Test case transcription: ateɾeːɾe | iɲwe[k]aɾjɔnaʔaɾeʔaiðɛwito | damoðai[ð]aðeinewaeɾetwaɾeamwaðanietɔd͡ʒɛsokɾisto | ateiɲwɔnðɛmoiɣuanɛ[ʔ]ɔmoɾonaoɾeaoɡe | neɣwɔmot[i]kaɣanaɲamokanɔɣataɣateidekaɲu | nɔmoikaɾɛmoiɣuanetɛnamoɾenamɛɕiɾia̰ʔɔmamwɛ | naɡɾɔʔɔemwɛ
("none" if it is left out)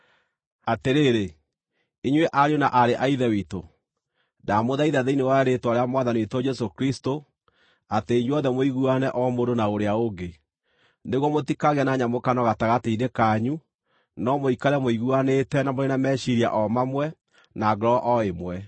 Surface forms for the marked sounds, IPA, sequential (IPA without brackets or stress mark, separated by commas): ʔ, ð, ʔ, i